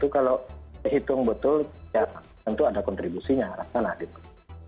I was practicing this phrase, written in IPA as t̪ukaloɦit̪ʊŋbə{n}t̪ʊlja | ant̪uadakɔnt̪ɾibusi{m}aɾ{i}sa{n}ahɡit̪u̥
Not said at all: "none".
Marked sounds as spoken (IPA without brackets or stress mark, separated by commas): none, ɲ, a, n